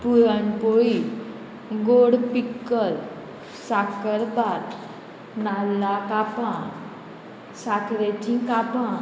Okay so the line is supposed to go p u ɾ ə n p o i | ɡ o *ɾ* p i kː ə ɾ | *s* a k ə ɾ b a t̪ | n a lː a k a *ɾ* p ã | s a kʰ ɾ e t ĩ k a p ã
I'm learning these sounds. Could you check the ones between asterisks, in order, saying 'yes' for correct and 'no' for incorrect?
no, yes, no

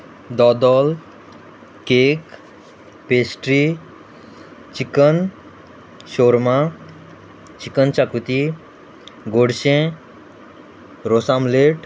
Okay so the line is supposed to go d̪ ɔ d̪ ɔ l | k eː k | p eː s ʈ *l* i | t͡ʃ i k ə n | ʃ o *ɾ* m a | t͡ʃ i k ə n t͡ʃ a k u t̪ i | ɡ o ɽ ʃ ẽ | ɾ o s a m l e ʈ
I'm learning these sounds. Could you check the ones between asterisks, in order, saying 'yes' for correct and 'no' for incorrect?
no, yes

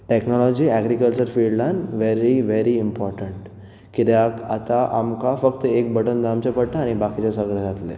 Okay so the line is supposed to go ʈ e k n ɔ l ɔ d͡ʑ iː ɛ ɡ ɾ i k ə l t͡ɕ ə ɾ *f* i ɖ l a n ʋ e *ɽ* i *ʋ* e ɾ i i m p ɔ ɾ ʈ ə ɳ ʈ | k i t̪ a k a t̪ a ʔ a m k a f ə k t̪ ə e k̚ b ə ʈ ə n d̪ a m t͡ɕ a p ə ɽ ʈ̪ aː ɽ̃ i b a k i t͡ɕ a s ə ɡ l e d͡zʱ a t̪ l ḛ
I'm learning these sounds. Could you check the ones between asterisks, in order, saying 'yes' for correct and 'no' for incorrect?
yes, no, yes

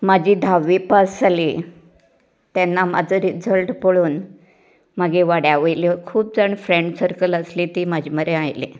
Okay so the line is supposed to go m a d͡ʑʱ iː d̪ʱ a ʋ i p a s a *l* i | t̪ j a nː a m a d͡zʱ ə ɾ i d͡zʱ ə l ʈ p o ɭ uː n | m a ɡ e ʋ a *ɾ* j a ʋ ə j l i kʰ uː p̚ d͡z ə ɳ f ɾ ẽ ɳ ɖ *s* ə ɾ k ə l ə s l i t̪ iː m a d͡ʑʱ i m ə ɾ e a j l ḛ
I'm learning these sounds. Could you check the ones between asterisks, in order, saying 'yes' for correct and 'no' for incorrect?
yes, no, yes

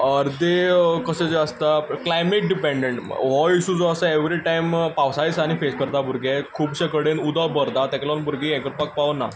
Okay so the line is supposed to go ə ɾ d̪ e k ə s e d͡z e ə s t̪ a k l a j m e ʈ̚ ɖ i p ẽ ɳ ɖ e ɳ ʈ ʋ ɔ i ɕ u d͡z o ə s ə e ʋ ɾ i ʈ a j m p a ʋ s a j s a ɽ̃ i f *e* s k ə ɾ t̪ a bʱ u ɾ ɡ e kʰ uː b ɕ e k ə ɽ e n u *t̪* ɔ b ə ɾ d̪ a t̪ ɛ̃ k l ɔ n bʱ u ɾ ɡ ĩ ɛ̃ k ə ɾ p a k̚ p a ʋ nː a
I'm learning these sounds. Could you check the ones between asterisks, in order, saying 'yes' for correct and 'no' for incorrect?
yes, no

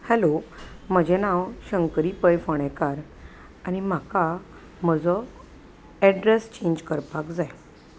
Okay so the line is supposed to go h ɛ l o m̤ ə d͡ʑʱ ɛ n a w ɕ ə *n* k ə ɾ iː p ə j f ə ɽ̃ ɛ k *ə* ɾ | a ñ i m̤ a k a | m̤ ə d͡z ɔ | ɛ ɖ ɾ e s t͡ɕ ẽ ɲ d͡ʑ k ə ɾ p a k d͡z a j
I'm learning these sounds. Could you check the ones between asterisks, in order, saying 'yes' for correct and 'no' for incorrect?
no, no

